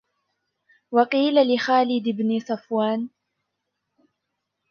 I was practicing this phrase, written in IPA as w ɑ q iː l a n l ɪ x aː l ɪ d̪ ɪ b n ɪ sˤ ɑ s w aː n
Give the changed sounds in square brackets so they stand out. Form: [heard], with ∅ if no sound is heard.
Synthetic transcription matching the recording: w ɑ q iː l a [∅] l ɪ x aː l ɪ d̪ ɪ b n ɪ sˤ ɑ [f] w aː n

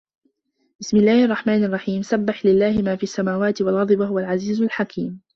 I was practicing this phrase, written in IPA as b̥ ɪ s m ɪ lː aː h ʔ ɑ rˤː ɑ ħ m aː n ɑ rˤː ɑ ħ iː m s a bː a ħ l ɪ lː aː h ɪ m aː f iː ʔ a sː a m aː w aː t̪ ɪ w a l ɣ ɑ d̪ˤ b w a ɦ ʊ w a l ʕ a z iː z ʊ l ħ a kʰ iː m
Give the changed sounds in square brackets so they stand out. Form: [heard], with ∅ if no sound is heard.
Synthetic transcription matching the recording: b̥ ɪ s m ɪ lː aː h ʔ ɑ rˤː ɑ ħ m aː n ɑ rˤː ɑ ħ iː m s a bː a ħ l ɪ lː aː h ɪ m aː f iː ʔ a sː a m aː w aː t̪ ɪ w a l ɣ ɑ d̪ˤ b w a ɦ ʊ w a l ʕ a z iː z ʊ l ħ a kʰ iː m

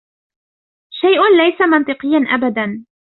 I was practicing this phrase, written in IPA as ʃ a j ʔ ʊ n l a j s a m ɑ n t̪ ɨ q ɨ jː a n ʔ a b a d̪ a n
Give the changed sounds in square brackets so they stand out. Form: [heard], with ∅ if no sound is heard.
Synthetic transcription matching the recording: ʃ a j ʔ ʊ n l a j s a m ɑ n t̪ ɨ q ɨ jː a n ʔ a b a d̪ a n

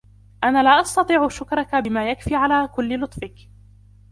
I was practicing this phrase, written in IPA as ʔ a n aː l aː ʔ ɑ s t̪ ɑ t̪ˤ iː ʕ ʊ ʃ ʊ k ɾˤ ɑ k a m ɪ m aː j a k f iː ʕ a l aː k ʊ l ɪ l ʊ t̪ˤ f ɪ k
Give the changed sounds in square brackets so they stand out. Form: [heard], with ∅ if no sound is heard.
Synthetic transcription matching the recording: ʔ a n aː l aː ʔ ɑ s t̪ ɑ t̪ˤ iː ʕ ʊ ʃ ʊ k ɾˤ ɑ k a [b] ɪ m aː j a k f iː ʕ a l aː k ʊ [lː] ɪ l ʊ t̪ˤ f ɪ k

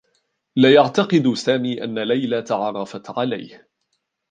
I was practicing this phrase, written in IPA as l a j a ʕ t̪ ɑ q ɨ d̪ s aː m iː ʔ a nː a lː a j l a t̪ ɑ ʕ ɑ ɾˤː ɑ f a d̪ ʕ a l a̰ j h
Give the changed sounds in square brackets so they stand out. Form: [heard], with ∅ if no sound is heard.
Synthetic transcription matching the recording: l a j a ʕ t̪ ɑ q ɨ d̪ s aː m iː ʔ a nː a [l] a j l a t̪ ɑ ʕ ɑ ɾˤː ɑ f a [t̪] ʕ a l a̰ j h

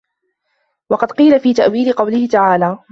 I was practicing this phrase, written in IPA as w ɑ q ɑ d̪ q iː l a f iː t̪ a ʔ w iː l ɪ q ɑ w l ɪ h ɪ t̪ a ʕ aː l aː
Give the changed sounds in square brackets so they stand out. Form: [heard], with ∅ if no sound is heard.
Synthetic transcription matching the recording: w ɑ q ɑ d̪ q iː l a f iː t̪ a ʔ w iː l ɪ q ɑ w l ɪ h ɪ t̪ a ʕ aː l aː

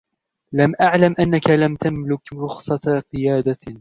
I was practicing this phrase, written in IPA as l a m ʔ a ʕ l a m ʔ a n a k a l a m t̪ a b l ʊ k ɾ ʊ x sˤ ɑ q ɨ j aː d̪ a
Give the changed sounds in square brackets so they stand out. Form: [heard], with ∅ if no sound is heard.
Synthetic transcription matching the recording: l a m ʔ a ʕ l a m ʔ a [nː] a k a l a m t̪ a [m] l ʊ k ɾ ʊ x sˤ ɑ q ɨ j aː d̪ a

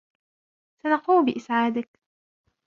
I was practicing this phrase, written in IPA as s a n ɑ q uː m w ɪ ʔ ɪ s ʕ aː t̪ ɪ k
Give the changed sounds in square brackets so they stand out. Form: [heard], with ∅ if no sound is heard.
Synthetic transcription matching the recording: s a n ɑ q uː m [b] ɪ ʔ ɪ s ʕ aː [d̪] ɪ k

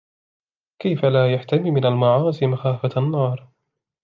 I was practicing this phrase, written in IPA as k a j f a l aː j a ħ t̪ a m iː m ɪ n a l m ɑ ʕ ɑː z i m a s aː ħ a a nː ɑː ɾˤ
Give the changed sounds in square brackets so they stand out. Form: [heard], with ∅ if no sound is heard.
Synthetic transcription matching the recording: k a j f a l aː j a ħ t̪ a m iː m ɪ n a l m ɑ ʕ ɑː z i m a [x] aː [f] a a nː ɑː ɾˤ

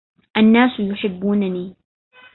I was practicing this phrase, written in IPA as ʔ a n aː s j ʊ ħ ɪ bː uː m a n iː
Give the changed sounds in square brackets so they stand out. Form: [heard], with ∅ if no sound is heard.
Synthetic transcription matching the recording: ʔ a [nː] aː s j ʊ ħ ɪ bː uː [n] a n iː

